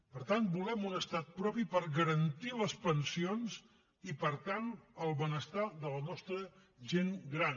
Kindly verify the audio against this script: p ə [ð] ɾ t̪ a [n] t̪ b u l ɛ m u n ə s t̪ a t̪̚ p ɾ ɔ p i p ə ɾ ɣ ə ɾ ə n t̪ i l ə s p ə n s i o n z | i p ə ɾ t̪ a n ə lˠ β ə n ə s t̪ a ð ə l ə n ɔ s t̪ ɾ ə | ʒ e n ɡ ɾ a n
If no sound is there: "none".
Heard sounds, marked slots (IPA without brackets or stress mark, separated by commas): none, n